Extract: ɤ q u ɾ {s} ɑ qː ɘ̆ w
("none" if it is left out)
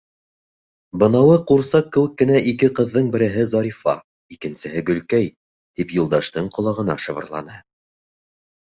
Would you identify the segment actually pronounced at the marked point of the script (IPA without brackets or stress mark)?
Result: s